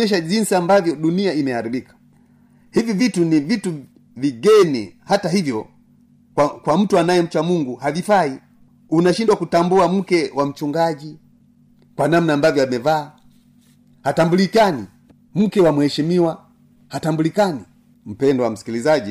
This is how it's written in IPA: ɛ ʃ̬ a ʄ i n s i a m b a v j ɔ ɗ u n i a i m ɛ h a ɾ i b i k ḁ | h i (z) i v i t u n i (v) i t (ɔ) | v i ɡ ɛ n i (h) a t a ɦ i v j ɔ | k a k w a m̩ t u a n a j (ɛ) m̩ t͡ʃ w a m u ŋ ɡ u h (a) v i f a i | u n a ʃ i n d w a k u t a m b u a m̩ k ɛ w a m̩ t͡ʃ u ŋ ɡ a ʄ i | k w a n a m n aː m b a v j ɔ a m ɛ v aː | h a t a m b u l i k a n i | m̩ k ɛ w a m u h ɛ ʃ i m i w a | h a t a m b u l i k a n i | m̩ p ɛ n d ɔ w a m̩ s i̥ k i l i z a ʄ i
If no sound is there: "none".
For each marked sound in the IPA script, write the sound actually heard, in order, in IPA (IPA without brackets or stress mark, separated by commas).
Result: v, v, u, h, ɛ, a